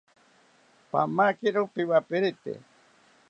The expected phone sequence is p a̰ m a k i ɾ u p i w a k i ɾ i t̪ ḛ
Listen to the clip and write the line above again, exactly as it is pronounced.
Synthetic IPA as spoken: p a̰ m a k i ɾ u p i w a p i ɾ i t̪ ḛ